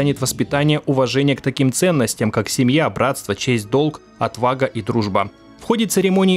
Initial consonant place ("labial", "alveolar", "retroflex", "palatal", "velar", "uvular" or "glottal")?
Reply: alveolar